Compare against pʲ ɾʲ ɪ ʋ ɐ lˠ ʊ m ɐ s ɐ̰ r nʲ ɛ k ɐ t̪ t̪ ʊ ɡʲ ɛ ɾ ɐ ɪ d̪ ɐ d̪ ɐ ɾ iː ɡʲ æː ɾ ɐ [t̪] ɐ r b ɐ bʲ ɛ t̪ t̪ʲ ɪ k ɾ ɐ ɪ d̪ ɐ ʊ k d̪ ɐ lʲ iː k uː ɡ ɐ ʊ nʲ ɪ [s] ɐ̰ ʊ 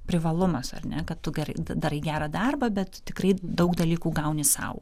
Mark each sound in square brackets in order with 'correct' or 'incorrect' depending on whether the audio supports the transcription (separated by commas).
incorrect, correct